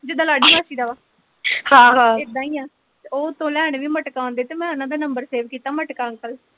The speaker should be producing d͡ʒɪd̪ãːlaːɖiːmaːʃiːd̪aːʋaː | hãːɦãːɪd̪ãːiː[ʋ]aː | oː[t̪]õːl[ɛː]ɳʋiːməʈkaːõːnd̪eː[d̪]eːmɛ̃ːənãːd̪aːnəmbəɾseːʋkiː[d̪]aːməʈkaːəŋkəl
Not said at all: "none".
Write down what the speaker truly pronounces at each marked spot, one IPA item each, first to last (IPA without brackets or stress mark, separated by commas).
none, t̪, ɛː, t̪, t̪